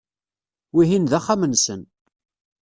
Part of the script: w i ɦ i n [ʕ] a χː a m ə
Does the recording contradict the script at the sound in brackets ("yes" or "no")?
yes